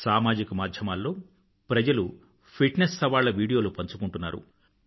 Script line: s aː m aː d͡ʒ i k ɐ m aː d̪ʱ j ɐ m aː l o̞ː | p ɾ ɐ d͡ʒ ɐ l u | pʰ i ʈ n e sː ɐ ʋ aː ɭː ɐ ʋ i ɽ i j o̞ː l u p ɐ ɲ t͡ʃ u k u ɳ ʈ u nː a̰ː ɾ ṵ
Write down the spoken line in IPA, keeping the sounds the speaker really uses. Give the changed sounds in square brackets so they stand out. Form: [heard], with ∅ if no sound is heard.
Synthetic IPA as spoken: s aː m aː d͡ʒ i k ɐ m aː d̪ʱ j ɐ m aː [lː] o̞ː | p ɾ ɐ d͡ʒ ɐ l u | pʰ i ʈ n e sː ɐ ʋ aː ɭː ɐ ʋ [iː] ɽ i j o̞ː l u p ɐ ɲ t͡ʃ u k u ɳ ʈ u nː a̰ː ɾ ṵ